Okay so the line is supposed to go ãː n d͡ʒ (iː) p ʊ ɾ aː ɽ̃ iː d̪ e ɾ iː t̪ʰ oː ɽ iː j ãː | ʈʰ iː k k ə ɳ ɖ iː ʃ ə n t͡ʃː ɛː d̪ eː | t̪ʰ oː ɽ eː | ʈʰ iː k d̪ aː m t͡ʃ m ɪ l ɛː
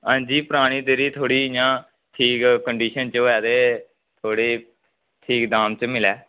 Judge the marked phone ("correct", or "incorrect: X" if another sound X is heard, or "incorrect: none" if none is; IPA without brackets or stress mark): correct